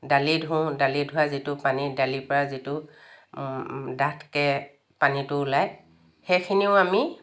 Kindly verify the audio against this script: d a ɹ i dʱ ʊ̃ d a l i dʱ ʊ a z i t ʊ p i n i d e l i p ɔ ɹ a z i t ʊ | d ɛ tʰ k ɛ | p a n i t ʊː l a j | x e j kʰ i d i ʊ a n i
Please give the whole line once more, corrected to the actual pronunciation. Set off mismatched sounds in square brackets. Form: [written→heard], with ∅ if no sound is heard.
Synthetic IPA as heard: d a [ɹ→l] i dʱ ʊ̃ d a l i dʱ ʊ a z i t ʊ p [i→a] n i d [e→a] l i p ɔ ɹ a z i t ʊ | d [ɛ→a] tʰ k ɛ | p a n i t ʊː l a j | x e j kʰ i [d→n] i ʊ a [n→m] i